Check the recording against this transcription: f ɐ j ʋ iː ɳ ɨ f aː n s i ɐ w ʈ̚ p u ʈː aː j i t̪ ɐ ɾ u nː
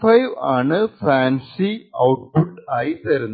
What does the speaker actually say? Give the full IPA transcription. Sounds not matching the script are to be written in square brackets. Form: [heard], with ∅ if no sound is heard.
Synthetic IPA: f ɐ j ʋ [aː] ɳ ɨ f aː n s i ɐ w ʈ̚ p u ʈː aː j i t̪ ɐ ɾ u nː

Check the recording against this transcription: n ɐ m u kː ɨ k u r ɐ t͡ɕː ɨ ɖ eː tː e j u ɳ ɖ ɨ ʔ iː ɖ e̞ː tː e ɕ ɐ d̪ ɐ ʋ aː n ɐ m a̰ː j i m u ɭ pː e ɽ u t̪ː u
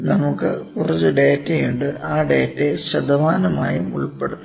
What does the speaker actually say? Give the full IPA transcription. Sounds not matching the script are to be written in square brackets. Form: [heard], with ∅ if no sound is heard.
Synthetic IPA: n ɐ m u kː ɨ k u r ɐ t͡ɕː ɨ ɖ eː tː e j u ɳ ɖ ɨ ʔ [aː] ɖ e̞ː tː e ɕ ɐ d̪ ɐ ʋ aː n ɐ m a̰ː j i m u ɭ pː e ɽ u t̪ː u

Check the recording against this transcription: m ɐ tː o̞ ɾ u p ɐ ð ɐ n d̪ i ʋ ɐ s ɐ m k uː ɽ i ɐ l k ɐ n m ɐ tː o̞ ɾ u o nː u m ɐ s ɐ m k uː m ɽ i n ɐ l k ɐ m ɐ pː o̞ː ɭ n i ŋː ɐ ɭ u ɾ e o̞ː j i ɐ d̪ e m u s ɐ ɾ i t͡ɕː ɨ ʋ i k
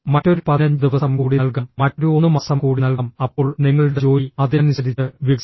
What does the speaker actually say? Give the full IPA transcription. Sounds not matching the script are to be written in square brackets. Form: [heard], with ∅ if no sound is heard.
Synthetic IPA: m ɐ tː o̞ ɾ u p ɐ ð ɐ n d̪ i ʋ ɐ s ɐ m k uː ɽ i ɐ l k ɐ [m] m ɐ tː o̞ ɾ u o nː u m ɐ s ɐ m k uː [∅] ɽ i n ɐ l k ɐ m ɐ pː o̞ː ɭ n i ŋː ɐ ɭ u [ɽ] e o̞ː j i ɐ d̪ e [n] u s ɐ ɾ i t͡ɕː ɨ ʋ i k

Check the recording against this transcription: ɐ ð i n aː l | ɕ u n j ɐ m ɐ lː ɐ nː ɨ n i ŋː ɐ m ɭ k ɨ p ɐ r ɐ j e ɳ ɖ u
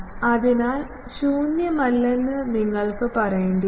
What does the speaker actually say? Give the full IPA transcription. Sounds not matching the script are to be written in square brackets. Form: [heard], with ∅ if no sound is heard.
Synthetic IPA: ɐ ð i n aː l | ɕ [uː] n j ɐ m ɐ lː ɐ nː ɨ n i ŋː ɐ [∅] ɭ k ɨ p ɐ r ɐ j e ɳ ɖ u

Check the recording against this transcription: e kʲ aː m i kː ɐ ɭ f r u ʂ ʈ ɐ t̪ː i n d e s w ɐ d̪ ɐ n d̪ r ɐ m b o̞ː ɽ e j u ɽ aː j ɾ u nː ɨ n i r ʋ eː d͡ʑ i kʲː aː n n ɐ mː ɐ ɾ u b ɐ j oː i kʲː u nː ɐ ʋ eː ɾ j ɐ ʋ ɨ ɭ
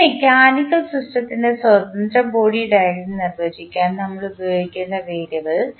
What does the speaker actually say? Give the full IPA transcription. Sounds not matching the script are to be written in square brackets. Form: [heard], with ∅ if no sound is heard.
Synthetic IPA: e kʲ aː [n] i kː ɐ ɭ [s] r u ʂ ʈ ɐ t̪ː i n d e s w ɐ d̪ ɐ n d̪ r ɐ m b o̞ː ɽ [i] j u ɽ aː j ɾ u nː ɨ n i r ʋ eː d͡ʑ i kʲː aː n n ɐ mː ɐ [ɭ] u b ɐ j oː i kʲː u nː ɐ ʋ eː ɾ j ɐ ʋ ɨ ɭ

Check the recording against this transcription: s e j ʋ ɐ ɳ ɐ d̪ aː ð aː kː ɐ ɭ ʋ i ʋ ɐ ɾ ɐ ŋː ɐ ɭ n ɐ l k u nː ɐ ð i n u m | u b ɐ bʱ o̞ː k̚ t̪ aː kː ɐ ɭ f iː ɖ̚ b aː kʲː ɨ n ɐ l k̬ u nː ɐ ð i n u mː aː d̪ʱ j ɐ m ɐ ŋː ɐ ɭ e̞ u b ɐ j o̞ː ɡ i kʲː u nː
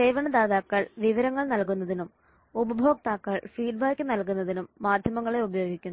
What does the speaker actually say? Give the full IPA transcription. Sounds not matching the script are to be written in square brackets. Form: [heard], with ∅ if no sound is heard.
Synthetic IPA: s e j ʋ ɐ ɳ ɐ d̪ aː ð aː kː ɐ ɭ ʋ i ʋ ɐ ɾ ɐ ŋː ɐ ɭ n ɐ l k u nː ɐ ð i n u m | u b ɐ bʱ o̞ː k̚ t̪ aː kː ɐ ɭ f iː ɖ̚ b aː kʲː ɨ n ɐ l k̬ u nː ɐ ð i n u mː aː d̪ʱ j ɐ m ɐ ŋː ɐ ɭ e̞ u b ɐ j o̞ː ɡ i kʲː u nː

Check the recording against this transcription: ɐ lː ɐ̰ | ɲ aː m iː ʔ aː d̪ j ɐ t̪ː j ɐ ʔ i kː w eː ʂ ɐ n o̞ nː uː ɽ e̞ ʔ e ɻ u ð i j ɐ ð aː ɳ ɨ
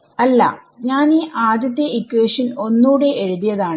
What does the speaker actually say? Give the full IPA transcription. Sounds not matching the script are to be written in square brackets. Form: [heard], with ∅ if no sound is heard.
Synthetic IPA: ɐ lː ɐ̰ | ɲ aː [n] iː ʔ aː d̪ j ɐ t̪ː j ɐ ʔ i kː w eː ʂ ɐ n o̞ nː uː ɽ e̞ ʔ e ɻ u ð i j ɐ ð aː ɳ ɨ

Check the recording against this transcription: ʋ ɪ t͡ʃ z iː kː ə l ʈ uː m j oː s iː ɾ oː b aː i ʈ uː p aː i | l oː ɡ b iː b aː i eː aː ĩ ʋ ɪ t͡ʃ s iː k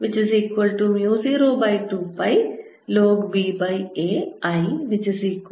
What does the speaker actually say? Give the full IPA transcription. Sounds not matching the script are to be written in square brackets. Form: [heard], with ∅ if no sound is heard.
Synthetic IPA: ʋ ɪ t͡ʃ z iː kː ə l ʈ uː m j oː [z] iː ɾ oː b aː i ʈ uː p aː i | l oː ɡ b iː b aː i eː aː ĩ ʋ ɪ t͡ʃ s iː k

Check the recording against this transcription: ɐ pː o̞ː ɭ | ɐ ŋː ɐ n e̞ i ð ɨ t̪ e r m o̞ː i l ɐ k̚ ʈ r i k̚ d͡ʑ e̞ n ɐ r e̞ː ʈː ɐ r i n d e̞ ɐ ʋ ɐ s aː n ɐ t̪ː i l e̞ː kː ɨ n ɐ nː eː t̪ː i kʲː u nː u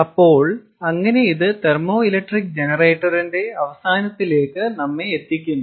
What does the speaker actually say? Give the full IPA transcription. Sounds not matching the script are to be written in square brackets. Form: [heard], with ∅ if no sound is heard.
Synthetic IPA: ɐ pː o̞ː ɭ | ɐ ŋː ɐ n e̞ i ð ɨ t̪ e r m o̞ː i l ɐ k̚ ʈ r i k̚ d͡ʑ e̞ n ɐ r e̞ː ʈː ɐ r i n d e̞ ɐ ʋ ɐ s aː n ɐ t̪ː i l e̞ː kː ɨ n ɐ [mː] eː t̪ː i kʲː u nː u

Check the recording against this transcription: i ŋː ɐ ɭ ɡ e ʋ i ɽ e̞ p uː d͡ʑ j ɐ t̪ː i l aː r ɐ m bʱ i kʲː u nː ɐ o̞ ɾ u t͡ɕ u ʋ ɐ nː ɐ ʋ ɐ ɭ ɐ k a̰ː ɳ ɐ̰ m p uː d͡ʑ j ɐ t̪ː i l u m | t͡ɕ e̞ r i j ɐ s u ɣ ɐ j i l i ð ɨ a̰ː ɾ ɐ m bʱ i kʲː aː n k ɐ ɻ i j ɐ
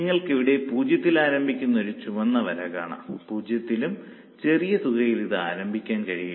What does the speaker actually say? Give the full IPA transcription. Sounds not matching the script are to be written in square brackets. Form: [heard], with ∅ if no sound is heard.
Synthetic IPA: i ŋː ɐ ɭ [k] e ʋ i ɽ e̞ p uː d͡ʑ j ɐ t̪ː i l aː [ɾ] ɐ m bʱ i kʲː u nː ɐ o̞ ɾ u t͡ɕ u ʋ ɐ nː ɐ ʋ ɐ [ɾ] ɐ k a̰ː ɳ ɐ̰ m p uː d͡ʑ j ɐ t̪ː i l u m | t͡ɕ e̞ r i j ɐ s u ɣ ɐ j i l i ð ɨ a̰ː ɾ ɐ m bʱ i kʲː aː n k ɐ ɻ i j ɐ

